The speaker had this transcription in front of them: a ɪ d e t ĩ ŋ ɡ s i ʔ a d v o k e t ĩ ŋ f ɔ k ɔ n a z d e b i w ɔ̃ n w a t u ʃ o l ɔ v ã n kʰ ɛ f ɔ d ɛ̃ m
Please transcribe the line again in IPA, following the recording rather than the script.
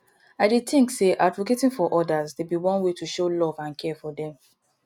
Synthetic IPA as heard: a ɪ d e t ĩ ŋ k s e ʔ a d v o k e t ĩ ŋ f ɔ ʔ ɔ d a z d e b i w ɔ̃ n w e t u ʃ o l ɔ v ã n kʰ ɛ f ɔ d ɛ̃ m